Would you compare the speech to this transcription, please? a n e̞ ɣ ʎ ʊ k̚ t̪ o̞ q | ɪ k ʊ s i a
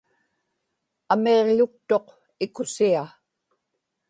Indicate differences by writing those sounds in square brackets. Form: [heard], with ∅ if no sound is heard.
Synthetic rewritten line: a [m] e̞ [ʁ] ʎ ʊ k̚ t̪ o̞ q | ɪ k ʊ s i a